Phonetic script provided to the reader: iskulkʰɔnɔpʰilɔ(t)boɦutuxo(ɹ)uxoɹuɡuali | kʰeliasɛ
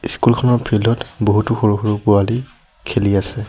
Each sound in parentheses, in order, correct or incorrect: correct, correct

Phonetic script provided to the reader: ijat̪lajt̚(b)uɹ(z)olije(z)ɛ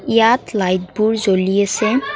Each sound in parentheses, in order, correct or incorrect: correct, correct, incorrect: s

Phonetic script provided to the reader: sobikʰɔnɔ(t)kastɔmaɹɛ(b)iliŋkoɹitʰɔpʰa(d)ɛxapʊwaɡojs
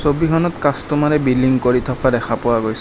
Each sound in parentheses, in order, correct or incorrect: correct, correct, correct

